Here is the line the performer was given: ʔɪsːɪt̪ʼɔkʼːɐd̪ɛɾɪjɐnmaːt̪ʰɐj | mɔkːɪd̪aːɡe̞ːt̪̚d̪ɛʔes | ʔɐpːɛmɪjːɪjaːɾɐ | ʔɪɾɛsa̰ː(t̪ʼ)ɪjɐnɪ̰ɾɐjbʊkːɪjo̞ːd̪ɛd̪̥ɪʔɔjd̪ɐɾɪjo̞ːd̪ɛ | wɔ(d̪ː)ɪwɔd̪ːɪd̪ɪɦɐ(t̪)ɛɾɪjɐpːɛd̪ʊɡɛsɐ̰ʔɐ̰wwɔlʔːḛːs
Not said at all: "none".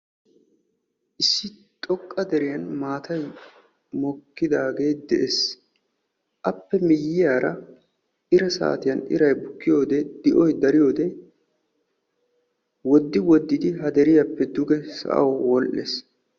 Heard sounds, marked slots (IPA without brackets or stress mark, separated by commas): t̪, d̪ː, d̪